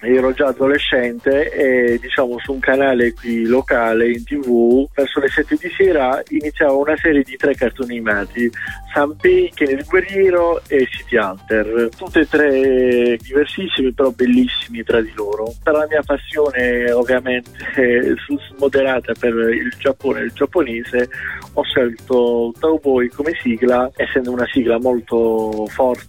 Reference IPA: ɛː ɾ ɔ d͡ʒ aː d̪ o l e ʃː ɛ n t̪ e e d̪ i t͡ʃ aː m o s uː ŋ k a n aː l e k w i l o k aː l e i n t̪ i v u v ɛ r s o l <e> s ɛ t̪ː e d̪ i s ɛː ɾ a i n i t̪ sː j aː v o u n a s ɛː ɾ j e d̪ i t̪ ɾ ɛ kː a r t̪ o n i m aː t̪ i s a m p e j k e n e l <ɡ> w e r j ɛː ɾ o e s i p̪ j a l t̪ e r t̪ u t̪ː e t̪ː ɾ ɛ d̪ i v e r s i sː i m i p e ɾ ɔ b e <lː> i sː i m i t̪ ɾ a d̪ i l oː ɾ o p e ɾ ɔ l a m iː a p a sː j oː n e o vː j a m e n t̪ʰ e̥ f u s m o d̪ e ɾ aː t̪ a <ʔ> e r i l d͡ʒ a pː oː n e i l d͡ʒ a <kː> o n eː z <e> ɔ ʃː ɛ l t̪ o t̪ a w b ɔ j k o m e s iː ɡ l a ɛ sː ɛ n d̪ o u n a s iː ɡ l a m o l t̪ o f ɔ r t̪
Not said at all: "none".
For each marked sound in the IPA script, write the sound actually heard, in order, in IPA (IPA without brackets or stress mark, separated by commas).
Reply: e, ɡ, lː, p, pː, e